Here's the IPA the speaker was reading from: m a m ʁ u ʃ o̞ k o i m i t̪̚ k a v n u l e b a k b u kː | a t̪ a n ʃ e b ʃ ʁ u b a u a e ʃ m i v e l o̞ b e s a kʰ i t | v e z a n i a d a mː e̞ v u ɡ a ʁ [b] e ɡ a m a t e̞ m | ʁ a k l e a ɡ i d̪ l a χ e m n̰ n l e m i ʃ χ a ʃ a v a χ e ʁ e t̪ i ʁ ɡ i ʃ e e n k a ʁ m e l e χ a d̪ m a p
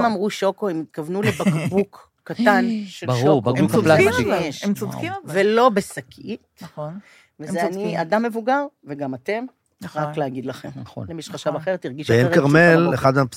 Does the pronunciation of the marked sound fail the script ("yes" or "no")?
yes